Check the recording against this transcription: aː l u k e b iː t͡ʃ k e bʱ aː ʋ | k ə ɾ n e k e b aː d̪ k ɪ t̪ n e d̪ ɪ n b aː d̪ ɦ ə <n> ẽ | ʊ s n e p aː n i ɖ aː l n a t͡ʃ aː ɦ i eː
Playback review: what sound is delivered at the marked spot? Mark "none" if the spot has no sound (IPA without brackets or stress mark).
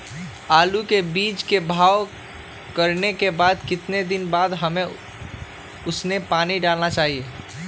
m